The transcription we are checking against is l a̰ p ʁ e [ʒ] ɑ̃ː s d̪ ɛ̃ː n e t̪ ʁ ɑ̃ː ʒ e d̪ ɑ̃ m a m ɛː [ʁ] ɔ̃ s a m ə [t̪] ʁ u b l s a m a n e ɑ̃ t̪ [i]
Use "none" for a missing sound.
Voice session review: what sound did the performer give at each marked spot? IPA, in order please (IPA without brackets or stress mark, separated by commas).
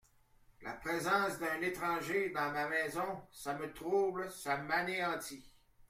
z, z, t̪, i